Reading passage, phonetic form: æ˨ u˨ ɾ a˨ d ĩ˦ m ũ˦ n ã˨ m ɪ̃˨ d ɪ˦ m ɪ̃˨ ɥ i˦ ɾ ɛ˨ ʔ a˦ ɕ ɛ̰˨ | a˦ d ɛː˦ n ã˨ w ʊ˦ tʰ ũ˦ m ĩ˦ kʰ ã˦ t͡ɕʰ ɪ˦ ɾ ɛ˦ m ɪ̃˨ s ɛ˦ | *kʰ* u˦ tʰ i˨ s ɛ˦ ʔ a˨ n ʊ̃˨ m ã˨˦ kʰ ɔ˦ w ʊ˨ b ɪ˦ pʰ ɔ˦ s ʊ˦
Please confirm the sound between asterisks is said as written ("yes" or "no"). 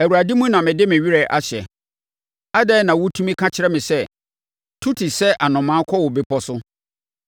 no